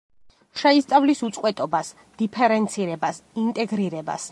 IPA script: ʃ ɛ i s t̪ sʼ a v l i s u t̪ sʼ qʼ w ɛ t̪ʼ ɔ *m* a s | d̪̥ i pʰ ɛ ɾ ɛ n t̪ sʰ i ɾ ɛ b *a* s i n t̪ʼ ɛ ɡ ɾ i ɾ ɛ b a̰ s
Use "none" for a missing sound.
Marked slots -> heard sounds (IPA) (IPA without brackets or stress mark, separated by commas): b, a